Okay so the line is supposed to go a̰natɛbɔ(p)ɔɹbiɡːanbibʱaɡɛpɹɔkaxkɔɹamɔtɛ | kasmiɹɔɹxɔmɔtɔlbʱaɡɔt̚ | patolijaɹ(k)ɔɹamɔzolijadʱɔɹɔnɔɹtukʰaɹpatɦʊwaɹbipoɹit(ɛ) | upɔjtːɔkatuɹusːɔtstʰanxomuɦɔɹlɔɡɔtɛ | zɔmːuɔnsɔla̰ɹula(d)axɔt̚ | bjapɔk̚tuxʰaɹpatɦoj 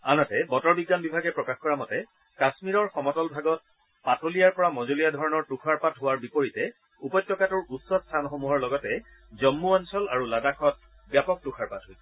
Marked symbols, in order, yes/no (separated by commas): no, no, yes, yes